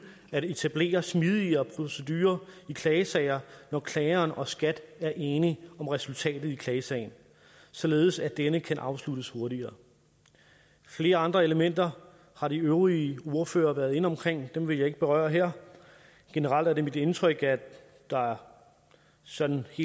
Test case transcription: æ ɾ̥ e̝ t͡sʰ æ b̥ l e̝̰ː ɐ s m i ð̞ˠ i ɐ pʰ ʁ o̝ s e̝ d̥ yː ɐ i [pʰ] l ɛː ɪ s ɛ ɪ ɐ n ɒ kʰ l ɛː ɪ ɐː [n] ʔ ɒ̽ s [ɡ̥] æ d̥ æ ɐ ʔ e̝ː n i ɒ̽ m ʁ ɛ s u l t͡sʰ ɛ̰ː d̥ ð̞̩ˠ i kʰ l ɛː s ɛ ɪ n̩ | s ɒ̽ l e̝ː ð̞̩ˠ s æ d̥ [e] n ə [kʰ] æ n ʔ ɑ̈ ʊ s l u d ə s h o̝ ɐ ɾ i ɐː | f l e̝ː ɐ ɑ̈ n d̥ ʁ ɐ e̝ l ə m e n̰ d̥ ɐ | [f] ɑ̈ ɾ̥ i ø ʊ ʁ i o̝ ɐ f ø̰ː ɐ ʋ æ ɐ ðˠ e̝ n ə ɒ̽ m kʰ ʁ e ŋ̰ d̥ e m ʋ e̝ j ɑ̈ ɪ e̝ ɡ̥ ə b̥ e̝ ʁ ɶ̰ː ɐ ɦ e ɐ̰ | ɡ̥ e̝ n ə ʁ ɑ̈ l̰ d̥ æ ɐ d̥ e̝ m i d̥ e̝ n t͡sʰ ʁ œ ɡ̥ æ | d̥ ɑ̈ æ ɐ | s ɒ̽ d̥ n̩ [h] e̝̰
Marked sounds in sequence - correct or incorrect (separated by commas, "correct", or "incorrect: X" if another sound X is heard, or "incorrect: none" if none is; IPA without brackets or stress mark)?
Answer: incorrect: kʰ, correct, correct, correct, correct, incorrect: h, correct